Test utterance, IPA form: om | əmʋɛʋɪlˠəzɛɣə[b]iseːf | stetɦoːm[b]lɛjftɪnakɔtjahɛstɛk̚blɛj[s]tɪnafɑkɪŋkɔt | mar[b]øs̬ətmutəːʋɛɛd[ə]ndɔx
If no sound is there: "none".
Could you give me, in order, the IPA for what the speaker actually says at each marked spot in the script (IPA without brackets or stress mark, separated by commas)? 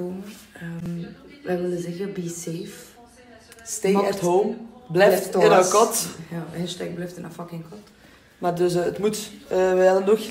b, b, f, d, ə